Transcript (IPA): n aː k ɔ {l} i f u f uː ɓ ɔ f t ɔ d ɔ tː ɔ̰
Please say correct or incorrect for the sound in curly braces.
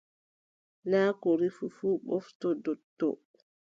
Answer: incorrect: ɾ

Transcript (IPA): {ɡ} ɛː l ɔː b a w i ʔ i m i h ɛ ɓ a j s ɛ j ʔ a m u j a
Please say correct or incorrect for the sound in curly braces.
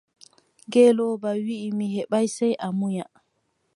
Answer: correct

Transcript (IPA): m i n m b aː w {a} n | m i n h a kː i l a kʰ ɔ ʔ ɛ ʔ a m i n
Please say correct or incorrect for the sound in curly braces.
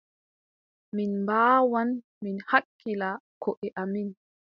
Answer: correct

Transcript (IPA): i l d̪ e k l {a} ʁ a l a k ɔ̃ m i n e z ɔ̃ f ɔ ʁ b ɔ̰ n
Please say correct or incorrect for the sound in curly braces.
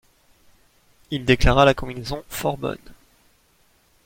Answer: correct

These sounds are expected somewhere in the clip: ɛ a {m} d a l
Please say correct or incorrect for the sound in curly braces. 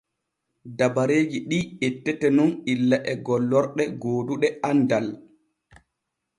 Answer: incorrect: n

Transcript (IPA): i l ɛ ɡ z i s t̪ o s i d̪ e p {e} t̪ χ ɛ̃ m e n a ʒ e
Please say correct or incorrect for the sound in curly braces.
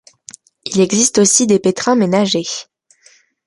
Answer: correct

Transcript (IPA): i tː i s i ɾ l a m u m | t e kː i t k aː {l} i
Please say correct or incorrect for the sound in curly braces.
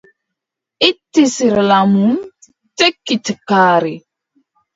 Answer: incorrect: ɾ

